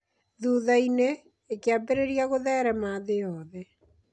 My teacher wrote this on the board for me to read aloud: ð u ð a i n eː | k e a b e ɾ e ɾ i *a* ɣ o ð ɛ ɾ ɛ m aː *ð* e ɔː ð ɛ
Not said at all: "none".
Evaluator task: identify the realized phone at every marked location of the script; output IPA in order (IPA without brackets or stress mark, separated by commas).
a, ð